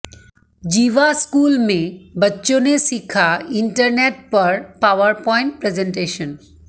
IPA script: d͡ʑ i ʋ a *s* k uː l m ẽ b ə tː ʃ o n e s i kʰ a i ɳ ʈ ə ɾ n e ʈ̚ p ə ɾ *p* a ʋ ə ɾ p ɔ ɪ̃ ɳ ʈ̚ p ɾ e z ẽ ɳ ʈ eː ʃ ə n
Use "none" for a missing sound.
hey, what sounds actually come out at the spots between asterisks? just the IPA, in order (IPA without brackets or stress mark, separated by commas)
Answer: s, p